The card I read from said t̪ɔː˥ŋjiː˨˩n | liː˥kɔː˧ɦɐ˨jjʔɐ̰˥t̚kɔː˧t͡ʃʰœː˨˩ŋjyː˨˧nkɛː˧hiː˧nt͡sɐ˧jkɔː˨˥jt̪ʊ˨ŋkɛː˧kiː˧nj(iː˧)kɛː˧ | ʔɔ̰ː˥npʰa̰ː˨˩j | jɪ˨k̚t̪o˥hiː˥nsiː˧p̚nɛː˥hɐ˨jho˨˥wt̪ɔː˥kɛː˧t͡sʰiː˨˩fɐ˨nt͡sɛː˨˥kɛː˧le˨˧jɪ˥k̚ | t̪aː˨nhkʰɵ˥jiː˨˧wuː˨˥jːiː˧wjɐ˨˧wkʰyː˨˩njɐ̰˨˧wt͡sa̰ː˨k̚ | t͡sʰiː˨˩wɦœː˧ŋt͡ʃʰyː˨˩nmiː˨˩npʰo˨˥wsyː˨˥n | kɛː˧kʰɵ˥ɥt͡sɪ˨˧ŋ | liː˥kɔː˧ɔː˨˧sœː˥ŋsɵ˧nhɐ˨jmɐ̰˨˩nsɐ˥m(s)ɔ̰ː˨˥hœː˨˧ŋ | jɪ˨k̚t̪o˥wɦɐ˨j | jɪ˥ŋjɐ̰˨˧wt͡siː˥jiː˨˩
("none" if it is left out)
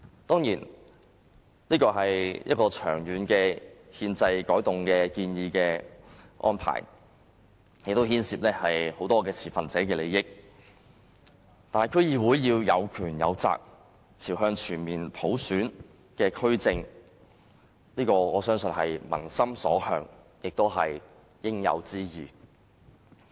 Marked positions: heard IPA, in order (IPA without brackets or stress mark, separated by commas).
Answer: iː˧, s